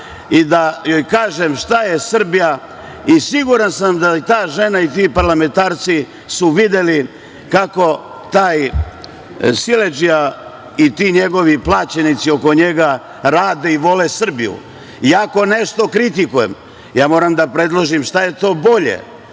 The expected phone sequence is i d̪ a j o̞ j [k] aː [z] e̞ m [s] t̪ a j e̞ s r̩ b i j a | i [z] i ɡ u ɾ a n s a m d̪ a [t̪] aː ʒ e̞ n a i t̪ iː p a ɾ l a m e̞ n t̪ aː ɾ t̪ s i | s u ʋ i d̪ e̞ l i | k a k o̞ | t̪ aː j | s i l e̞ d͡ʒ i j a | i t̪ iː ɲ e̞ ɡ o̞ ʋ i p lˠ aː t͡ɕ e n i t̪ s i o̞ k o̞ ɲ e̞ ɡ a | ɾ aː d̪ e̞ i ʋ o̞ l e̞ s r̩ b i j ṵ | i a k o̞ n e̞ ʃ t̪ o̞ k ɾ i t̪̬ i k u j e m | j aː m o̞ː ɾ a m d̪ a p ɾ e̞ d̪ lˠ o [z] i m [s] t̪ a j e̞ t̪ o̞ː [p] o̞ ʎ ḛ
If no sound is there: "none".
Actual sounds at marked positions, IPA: k, ʒ, ʃ, s, t̪, ʒ, ʃ, b

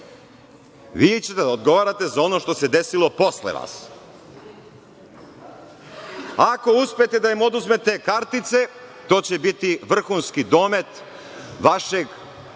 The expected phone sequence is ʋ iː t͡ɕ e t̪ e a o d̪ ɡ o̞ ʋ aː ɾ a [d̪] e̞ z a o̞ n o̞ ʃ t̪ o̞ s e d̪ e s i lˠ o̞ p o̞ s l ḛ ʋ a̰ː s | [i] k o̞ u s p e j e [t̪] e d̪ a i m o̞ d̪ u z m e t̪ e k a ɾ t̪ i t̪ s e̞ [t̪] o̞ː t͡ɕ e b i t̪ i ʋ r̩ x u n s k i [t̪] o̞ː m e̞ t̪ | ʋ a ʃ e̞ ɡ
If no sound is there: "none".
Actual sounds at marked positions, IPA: t̪, a, t̪, t̪, d̪

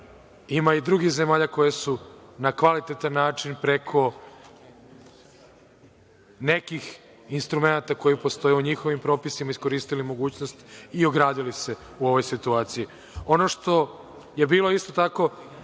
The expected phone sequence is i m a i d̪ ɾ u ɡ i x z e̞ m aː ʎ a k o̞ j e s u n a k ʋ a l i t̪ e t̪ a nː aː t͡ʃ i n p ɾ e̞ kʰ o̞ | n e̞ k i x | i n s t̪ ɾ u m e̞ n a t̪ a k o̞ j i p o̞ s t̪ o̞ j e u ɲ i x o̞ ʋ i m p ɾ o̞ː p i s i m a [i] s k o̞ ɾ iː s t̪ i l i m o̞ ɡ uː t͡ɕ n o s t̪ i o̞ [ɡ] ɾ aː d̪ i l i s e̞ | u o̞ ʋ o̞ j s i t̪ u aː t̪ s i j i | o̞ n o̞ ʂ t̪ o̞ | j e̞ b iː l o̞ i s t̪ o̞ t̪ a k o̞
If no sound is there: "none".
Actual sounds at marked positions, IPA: i, ɡ

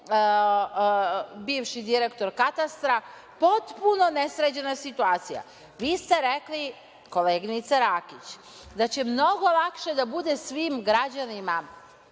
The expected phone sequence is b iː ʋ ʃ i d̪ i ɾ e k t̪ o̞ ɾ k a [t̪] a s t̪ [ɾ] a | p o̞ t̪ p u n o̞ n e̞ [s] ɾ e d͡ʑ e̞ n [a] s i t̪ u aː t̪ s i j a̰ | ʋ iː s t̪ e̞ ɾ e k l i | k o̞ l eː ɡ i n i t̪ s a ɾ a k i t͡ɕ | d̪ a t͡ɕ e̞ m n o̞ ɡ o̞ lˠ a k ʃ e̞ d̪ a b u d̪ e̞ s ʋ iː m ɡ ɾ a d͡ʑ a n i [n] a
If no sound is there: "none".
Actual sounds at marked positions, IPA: t̪, ɾ, s, a, m

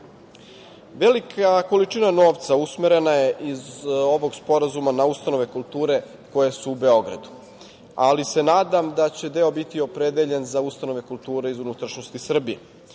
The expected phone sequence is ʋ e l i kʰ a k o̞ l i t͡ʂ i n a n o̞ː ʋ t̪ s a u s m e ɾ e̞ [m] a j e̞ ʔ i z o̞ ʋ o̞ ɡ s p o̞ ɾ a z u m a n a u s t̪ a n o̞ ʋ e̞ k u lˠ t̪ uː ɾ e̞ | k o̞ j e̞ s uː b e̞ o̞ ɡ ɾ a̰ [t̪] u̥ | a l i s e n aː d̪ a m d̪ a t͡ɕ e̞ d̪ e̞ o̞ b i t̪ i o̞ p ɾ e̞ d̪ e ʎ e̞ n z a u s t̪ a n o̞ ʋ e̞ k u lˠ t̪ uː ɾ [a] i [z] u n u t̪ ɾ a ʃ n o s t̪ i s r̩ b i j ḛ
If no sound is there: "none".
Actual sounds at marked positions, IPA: n, d̪, e, z

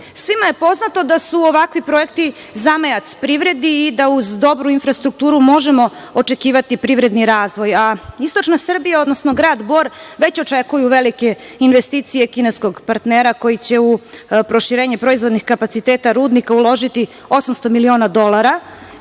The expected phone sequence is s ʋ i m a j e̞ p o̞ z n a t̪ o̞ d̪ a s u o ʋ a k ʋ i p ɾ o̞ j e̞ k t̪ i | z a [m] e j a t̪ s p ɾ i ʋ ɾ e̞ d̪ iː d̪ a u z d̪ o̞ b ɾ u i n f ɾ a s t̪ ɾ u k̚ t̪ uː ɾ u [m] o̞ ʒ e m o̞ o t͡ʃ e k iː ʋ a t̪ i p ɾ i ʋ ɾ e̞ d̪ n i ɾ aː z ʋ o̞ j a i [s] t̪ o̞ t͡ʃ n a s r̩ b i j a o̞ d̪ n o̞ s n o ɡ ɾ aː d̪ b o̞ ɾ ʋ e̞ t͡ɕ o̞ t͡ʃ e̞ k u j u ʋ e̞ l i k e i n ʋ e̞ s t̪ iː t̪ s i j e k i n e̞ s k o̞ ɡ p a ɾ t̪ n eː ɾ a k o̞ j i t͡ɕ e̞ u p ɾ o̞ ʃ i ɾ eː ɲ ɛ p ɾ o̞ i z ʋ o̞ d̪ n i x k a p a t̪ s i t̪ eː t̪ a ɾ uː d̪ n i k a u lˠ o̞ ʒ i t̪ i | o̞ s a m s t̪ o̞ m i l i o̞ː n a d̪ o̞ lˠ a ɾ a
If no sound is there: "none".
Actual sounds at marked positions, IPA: m, m, s

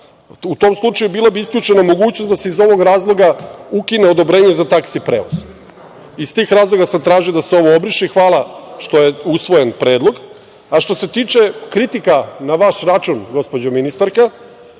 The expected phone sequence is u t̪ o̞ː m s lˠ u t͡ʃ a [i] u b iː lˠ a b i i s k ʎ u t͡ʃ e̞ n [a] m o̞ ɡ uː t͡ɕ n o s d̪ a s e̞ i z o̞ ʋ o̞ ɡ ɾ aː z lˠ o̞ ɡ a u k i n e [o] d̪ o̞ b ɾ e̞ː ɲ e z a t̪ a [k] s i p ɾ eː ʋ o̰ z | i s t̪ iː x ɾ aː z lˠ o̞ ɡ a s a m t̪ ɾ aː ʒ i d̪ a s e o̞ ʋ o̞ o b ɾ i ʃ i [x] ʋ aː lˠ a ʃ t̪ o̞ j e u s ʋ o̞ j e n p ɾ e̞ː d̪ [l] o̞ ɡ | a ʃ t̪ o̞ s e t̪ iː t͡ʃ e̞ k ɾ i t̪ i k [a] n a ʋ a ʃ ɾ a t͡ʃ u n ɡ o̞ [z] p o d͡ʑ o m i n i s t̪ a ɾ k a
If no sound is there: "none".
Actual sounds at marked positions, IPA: j, a, o, k, x, l, a, s

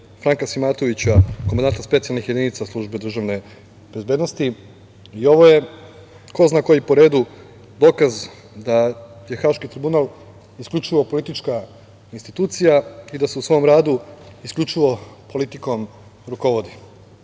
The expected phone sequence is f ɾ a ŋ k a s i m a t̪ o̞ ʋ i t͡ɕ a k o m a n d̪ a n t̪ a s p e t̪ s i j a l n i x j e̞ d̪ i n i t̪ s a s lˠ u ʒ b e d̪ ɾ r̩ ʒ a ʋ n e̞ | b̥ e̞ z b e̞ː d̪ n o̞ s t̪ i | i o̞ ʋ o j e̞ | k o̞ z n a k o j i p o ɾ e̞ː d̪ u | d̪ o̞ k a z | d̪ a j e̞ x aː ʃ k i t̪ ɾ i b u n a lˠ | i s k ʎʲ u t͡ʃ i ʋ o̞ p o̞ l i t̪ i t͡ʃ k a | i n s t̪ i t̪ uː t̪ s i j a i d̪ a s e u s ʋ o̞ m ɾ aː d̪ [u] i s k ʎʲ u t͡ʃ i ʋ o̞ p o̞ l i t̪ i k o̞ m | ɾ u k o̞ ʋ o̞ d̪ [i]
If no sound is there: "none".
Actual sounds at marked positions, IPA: u, i

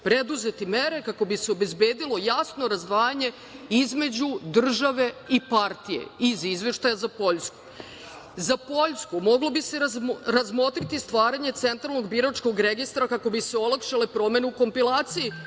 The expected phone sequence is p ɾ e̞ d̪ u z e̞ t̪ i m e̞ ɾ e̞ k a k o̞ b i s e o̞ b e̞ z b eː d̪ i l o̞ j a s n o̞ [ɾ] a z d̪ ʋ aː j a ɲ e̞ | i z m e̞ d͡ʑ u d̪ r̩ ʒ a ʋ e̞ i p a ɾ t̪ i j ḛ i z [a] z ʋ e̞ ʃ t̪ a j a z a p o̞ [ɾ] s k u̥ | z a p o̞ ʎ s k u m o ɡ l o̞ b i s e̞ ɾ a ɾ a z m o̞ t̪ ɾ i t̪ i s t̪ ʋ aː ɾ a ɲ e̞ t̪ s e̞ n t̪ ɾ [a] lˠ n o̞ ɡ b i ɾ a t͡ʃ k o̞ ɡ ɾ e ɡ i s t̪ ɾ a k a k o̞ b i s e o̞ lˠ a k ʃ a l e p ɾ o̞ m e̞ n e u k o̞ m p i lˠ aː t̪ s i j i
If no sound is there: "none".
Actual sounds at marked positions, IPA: ɾ, i, ʎ, a

